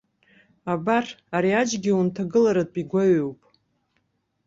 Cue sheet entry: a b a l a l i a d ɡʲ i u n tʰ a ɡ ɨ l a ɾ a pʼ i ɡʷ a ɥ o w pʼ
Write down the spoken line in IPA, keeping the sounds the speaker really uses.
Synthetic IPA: a b a r a ɾ i a d͡ʒ ɡʲ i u n tʰ a ɡ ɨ l a ɾ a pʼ i ɡʷ a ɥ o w pʼ